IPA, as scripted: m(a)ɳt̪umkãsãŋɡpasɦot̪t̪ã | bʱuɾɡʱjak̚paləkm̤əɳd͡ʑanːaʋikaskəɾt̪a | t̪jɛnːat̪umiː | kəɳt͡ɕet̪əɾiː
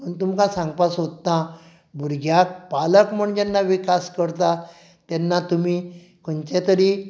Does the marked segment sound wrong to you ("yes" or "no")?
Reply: yes